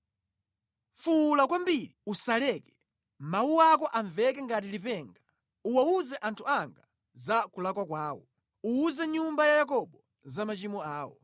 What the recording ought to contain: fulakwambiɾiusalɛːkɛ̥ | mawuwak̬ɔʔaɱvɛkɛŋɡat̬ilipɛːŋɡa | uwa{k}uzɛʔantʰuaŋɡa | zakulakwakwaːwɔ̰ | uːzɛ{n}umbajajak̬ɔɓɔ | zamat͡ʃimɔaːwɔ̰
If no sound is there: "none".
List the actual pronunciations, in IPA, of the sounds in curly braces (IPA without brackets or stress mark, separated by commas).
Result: none, ɲ